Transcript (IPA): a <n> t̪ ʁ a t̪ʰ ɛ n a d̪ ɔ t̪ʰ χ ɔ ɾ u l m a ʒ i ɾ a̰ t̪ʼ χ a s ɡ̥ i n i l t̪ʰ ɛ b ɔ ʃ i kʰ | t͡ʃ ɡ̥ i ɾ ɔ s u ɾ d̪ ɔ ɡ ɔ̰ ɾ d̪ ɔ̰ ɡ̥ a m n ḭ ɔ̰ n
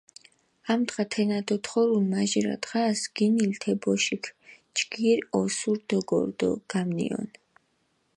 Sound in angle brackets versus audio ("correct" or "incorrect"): incorrect